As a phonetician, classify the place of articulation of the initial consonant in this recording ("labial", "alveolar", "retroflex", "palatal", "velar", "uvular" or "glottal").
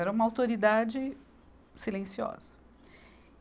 alveolar